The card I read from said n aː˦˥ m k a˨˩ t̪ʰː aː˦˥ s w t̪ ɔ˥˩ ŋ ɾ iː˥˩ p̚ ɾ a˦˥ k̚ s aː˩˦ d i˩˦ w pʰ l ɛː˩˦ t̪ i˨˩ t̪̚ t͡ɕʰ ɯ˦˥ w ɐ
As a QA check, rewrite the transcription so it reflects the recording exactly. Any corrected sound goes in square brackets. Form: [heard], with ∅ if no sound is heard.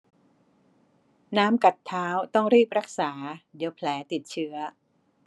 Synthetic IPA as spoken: n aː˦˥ m k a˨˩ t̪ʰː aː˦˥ [∅] w t̪ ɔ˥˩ ŋ ɾ iː˥˩ p̚ ɾ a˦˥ k̚ s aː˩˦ d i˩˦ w pʰ l ɛː˩˦ t̪ i˨˩ t̪̚ t͡ɕʰ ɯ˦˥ [∅] ɐ